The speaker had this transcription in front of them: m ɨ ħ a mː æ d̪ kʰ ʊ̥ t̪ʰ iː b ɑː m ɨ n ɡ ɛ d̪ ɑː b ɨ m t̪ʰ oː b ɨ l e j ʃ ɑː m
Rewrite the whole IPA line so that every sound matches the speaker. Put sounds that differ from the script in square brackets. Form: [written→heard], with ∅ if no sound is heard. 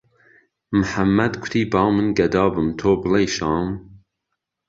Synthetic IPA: m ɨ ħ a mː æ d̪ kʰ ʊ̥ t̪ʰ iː b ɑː m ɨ n ɡ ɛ d̪ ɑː b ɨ m t̪ʰ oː b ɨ l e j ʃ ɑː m